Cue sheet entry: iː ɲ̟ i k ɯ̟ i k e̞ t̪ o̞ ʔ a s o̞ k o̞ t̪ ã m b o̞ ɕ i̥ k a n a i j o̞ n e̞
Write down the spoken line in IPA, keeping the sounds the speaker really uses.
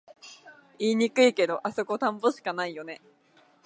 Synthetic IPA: iː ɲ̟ i k ɯ̟ i k e̞ d̪ o̞ ʔ a s o̞ k o̞ t̪ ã m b o̞ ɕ i̥ k a n a i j o̞ n e̞